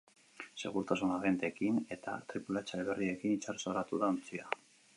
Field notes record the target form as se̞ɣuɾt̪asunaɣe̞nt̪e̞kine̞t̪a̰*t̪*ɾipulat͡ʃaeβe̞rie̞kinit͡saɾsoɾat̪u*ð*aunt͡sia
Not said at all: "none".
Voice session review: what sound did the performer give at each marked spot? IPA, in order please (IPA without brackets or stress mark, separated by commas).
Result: t̪, ð